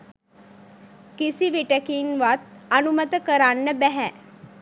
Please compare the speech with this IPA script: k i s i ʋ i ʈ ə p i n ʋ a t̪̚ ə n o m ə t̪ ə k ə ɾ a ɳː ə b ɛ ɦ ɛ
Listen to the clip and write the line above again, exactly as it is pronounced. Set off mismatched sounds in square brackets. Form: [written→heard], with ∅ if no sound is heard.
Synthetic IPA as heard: k i s i ʋ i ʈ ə [p→k] i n ʋ a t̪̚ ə n [o→u] m ə t̪ ə k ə ɾ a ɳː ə b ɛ ɦ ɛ